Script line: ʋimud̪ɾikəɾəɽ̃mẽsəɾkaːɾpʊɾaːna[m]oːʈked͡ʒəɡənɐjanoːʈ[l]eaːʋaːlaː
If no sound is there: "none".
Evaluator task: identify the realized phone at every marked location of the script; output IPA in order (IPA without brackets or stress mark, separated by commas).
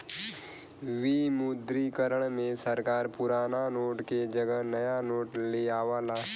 n, l